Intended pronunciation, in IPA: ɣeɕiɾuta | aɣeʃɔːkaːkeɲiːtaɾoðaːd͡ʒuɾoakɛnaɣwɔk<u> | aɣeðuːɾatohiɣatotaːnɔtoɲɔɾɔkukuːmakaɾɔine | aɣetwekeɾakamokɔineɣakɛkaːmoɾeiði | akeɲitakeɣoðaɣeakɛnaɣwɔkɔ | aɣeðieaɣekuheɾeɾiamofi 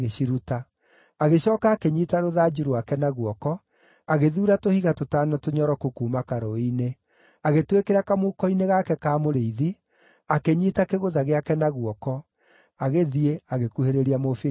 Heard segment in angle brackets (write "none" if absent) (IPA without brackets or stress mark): ɔ